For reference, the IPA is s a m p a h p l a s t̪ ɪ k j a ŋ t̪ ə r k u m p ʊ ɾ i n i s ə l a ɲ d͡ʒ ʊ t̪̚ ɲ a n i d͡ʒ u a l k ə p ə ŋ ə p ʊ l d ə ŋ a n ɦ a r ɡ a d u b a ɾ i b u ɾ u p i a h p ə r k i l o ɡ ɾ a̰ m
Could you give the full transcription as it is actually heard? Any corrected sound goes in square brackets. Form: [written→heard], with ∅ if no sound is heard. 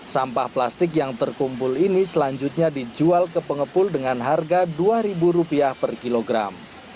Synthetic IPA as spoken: s a m p a h p l a s t̪ ɪ k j a ŋ t̪ ə r k u m p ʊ [ɾ→l] i n i s ə l a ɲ d͡ʒ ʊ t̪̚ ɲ a [n→d] i d͡ʒ u a l k ə p ə ŋ ə p ʊ l d ə ŋ a n ɦ a r ɡ a d u [b→∅] a ɾ i b u ɾ u p i a h p ə r k i l o ɡ ɾ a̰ m

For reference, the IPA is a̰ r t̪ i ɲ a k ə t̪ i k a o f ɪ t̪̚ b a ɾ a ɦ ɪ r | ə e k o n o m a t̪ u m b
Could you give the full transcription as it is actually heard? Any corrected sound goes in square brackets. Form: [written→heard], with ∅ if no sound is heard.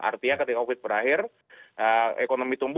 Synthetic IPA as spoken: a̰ r t̪ i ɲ a k ə t̪ i k a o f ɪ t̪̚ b [a→ə] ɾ a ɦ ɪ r | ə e k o n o m [a→i] t̪ u m b

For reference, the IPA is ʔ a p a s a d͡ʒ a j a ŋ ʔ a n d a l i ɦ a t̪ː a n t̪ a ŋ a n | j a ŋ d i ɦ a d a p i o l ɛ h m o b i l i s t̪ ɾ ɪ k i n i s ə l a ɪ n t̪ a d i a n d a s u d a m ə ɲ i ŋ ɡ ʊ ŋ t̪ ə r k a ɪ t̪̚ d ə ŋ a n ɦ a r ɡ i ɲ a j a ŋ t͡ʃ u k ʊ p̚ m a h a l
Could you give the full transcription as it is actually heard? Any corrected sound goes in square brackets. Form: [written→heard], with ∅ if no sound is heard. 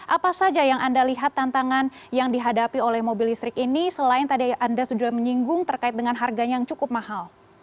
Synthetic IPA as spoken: ʔ a p a s a d͡ʒ a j a ŋ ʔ a n d a l i ɦ a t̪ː a n t̪ a ŋ a n | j a ŋ d i ɦ a d a p i o l ɛ h m o b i l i s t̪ ɾ ɪ k i n i s ə l a ɪ n t̪ a d i a n d a s u d a m ə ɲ i ŋ ɡ ʊ ŋ t̪ ə r k a ɪ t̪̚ d ə ŋ a n ɦ a r ɡ [i→a] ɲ a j a ŋ t͡ʃ u k ʊ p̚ m a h a l

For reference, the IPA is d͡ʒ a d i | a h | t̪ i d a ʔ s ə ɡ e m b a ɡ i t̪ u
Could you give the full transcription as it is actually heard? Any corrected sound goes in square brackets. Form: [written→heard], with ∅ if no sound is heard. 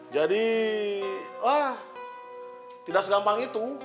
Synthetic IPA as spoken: d͡ʒ a d i | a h | t̪ i d a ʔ s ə ɡ [e→a] m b a [ɡ→ŋ] i t̪ u

